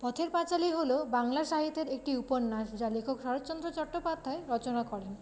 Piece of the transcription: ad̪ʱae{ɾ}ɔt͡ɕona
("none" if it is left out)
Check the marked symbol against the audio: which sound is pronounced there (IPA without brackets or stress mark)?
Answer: ɾ